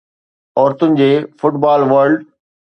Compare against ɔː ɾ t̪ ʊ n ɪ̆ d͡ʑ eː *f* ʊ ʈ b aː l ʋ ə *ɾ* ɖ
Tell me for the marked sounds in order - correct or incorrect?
correct, correct

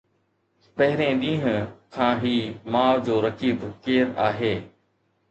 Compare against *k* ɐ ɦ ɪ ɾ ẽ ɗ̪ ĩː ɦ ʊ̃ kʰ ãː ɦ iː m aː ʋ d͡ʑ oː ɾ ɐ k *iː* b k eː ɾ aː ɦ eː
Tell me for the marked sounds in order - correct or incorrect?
incorrect, correct

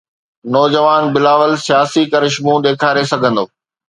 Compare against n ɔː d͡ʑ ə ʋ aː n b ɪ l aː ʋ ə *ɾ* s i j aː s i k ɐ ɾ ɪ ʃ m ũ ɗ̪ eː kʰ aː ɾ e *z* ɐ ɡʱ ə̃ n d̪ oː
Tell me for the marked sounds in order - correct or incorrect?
incorrect, incorrect

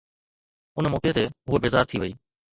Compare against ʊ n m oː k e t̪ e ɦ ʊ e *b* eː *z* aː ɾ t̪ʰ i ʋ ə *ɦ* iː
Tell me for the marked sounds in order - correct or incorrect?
correct, correct, incorrect

